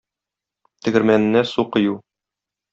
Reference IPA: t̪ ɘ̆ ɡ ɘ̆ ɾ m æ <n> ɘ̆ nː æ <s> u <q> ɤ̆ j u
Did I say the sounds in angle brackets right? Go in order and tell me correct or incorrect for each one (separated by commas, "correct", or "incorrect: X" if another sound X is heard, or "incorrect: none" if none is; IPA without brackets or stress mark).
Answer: correct, correct, correct